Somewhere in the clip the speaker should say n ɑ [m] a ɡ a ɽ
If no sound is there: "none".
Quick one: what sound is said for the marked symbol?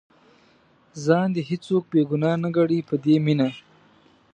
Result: n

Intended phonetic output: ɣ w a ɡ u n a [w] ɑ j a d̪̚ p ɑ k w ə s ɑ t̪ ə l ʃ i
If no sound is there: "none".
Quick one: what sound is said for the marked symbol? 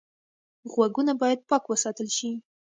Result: b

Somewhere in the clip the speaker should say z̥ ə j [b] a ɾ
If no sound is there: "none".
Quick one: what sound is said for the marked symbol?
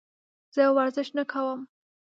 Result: w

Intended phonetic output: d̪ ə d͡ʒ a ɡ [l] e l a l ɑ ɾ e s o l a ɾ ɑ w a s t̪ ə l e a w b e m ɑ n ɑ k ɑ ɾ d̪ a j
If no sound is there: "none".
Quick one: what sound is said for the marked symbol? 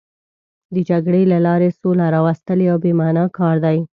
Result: ɽ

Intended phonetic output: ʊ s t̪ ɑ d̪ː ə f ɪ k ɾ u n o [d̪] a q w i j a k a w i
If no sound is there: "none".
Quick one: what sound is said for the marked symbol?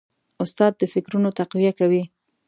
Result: t̪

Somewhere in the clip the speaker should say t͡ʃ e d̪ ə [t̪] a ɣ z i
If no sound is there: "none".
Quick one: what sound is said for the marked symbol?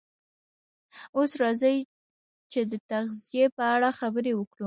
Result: t̪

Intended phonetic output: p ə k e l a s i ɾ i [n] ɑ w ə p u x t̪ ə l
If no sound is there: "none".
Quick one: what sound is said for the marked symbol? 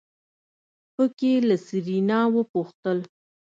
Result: n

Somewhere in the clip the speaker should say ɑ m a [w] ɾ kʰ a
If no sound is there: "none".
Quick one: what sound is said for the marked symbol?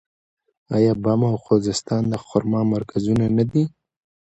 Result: none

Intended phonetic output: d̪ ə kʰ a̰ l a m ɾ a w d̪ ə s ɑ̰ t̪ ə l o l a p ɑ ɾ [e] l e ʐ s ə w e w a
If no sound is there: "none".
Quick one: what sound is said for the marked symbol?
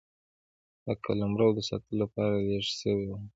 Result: a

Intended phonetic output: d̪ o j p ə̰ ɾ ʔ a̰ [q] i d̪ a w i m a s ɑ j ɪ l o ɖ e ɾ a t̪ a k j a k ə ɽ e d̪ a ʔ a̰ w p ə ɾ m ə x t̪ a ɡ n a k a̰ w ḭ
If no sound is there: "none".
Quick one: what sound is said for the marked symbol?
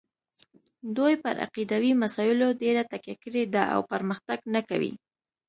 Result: q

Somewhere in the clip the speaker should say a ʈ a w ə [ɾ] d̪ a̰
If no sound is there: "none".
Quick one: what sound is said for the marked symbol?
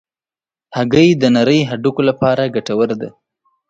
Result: ɾ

